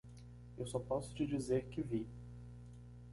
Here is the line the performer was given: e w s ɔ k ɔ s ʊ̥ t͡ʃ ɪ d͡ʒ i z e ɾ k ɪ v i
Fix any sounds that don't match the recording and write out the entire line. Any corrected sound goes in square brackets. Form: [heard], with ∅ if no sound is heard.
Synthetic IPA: e w s ɔ [p] ɔ s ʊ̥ t͡ʃ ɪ d͡ʒ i z e ɾ k ɪ v i